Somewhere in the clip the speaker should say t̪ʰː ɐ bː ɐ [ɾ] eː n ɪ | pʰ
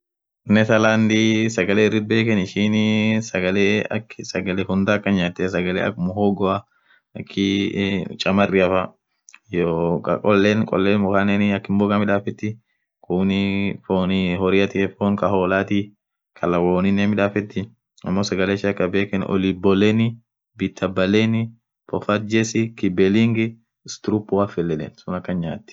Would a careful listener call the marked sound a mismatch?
yes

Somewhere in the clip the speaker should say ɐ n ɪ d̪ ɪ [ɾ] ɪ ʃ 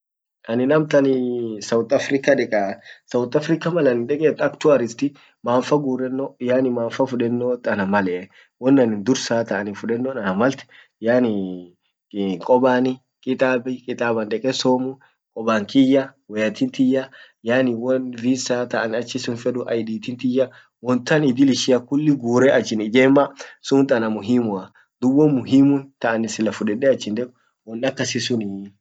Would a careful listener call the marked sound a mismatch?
yes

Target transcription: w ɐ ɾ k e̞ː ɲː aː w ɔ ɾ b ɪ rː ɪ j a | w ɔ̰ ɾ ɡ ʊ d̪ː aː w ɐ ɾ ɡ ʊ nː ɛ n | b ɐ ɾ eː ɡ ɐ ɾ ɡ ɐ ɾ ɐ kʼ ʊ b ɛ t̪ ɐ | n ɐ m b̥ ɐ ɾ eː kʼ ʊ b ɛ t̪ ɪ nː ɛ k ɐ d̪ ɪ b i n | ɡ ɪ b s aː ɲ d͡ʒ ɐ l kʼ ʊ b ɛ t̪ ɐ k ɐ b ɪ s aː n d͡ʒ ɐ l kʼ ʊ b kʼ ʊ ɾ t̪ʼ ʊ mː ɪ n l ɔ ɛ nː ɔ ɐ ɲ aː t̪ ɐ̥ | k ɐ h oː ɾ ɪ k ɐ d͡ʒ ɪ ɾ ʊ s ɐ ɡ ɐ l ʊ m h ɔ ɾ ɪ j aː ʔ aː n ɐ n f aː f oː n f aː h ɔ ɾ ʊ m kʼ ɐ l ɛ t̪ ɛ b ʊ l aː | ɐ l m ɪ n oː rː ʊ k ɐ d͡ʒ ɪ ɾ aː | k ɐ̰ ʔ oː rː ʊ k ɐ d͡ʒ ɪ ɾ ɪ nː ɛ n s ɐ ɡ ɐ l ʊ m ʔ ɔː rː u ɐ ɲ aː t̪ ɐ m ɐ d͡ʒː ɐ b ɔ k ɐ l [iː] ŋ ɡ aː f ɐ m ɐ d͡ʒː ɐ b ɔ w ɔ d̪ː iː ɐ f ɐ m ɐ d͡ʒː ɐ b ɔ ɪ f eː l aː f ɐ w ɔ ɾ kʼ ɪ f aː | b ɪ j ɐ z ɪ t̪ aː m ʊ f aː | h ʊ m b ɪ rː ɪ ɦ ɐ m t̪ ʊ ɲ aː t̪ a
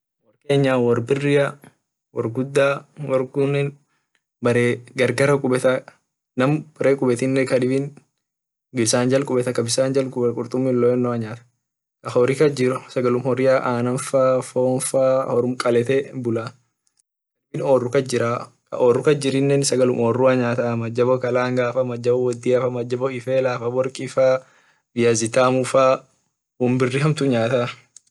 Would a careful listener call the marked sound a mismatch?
yes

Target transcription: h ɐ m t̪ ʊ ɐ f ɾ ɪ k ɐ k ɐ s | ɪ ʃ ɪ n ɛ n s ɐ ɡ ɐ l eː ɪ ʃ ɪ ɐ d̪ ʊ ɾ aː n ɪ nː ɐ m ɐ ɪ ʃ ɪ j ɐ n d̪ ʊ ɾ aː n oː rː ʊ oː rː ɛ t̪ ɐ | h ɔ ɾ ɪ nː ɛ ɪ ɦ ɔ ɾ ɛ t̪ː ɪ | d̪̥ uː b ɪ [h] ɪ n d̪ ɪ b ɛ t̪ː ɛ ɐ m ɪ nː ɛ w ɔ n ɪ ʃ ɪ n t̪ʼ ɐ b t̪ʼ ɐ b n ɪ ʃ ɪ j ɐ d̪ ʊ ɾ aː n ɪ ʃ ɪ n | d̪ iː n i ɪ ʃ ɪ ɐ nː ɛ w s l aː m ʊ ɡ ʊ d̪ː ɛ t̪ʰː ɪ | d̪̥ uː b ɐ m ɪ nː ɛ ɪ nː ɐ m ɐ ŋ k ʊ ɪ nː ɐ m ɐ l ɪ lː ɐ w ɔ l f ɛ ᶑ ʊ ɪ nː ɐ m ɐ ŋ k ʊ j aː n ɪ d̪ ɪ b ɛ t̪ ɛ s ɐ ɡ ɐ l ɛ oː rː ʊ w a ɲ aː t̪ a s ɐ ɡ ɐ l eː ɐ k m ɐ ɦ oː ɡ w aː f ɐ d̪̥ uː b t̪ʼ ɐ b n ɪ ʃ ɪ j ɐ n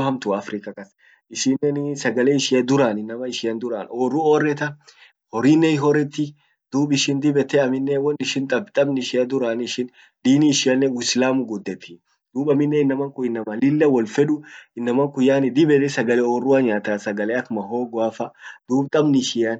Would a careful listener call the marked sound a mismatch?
yes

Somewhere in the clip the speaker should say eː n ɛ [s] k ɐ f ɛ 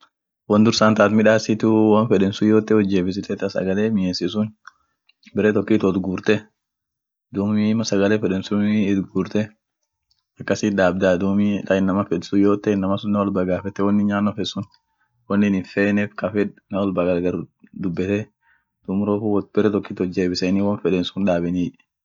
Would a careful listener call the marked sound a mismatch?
yes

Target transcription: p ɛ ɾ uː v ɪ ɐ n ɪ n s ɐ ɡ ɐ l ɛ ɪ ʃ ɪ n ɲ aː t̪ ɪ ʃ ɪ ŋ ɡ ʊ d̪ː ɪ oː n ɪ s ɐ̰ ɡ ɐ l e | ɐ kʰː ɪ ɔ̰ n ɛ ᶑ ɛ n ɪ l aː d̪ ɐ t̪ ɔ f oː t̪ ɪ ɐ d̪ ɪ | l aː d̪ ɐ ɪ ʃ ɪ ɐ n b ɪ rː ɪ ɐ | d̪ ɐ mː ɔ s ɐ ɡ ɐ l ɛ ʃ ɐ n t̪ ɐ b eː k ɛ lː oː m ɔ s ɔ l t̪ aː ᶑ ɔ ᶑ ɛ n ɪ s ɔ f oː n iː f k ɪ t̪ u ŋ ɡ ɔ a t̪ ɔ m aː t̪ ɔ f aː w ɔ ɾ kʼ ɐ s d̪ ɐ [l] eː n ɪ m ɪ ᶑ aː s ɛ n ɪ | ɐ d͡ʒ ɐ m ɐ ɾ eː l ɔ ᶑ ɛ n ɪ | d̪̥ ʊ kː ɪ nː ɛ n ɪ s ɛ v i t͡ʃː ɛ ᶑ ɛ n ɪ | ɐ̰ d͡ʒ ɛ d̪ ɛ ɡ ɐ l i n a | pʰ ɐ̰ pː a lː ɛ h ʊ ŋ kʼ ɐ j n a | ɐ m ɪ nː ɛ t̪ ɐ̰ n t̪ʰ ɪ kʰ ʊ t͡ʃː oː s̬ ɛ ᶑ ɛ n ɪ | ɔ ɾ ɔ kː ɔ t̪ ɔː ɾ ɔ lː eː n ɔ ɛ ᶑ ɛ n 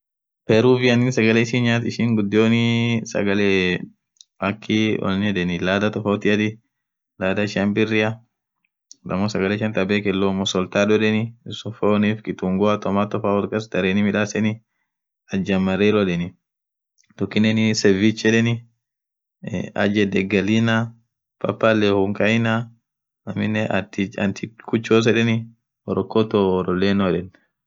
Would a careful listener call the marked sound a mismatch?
yes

